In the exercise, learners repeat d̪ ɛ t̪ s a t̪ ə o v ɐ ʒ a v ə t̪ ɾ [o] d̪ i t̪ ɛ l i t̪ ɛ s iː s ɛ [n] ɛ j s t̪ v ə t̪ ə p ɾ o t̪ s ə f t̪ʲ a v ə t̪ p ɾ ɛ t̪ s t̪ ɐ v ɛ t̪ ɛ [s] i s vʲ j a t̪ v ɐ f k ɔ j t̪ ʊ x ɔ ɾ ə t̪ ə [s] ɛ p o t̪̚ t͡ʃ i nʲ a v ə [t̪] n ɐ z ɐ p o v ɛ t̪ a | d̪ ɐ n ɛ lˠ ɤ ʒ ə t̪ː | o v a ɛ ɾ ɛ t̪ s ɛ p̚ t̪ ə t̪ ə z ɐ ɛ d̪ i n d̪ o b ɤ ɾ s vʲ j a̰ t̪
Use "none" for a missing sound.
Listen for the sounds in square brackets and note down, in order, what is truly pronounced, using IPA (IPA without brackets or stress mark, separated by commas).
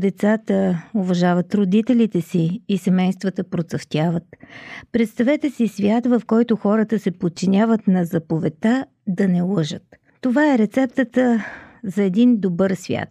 o, m, s, s, t̪